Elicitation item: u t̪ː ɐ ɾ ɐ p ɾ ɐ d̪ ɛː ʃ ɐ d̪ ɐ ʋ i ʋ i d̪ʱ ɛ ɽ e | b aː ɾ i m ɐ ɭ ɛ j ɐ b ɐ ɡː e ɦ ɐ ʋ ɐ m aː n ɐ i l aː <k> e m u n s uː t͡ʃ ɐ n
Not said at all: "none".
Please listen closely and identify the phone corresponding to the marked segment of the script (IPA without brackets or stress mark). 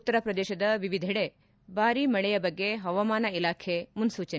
kʰ